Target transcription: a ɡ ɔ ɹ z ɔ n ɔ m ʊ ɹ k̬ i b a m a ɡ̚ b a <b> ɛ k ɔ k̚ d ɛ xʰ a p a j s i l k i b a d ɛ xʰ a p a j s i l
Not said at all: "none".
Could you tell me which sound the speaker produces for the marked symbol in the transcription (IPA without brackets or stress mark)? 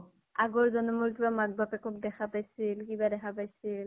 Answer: p